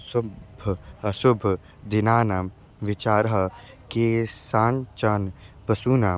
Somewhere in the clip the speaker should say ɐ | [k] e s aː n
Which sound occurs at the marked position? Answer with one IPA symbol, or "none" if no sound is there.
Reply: k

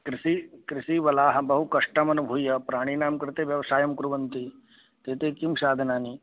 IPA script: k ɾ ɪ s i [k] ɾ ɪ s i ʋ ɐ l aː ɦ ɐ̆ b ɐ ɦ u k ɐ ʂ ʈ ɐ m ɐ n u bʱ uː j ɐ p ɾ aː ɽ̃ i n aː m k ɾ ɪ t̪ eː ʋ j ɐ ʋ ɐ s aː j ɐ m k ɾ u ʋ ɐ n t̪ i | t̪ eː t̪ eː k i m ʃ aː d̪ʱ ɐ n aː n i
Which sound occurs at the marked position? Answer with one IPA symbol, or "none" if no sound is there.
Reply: k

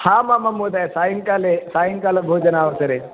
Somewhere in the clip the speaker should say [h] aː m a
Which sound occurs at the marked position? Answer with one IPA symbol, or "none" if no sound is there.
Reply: h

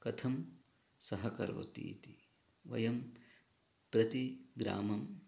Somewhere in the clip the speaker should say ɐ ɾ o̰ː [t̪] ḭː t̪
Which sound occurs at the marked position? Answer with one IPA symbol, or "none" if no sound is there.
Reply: t̪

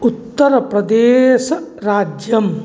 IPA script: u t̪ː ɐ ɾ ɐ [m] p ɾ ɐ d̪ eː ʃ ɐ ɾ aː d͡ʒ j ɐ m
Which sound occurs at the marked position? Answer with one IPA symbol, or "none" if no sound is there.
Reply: none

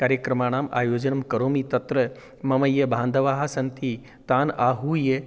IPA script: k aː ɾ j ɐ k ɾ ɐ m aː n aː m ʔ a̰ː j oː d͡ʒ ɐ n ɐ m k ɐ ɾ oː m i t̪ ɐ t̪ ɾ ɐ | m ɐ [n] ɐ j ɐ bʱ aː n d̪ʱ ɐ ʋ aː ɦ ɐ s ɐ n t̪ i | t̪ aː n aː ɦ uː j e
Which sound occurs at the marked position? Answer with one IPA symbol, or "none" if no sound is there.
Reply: m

